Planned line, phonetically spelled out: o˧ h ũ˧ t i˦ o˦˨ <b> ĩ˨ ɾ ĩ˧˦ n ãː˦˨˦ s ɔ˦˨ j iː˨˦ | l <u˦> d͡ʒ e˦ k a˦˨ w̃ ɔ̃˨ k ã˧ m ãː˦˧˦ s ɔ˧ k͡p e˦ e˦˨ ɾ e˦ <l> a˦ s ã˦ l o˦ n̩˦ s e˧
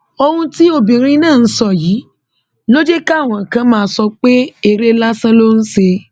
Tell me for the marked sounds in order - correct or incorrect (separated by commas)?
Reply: correct, incorrect, correct